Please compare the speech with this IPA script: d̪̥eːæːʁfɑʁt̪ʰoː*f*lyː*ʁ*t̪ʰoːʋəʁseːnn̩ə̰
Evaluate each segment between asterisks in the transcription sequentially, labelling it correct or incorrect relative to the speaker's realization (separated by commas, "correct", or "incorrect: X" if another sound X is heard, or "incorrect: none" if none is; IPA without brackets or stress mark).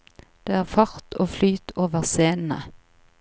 correct, incorrect: none